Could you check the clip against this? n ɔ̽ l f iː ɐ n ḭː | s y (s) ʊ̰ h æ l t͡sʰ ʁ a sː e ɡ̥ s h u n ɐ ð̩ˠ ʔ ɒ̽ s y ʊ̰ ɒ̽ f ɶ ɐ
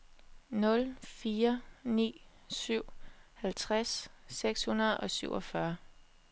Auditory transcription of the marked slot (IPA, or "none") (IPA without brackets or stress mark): none